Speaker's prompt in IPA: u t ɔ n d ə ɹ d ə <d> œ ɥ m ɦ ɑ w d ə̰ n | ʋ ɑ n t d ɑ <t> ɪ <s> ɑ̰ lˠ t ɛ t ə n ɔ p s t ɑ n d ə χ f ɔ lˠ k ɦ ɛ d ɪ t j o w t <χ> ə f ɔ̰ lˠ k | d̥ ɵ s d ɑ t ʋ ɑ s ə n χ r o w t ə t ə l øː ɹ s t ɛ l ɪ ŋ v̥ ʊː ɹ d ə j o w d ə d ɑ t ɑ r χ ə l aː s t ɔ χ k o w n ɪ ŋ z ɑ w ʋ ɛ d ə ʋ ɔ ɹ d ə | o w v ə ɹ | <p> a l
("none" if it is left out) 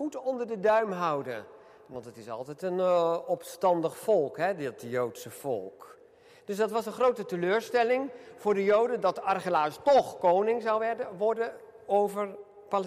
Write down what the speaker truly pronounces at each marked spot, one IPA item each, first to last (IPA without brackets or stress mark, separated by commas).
d, t, s, s, p